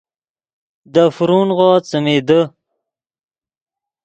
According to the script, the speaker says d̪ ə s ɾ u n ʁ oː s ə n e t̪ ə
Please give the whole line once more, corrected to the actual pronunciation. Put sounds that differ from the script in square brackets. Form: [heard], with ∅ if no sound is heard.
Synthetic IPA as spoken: d̪ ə [f] ɾ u n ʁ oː [t͡s] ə [m] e [d̪] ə